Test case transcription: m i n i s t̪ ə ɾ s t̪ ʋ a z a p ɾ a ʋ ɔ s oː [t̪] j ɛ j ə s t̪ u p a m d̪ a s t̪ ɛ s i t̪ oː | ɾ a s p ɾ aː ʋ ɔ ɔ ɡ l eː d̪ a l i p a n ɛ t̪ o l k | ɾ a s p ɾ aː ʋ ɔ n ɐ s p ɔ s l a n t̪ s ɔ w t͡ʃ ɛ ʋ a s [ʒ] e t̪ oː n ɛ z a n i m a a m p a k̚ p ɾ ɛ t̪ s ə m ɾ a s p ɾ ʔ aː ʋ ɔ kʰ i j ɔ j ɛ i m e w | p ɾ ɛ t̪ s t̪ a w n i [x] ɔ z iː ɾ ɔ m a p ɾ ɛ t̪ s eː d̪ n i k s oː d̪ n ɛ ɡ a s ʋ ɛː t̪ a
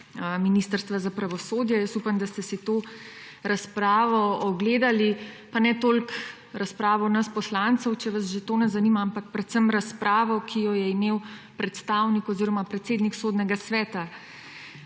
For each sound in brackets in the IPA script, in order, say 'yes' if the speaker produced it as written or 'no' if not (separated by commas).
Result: no, yes, no